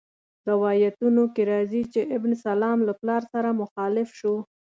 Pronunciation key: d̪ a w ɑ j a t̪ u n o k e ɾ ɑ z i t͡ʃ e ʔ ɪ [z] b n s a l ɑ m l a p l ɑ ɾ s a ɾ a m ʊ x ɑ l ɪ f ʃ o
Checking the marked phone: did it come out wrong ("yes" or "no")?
yes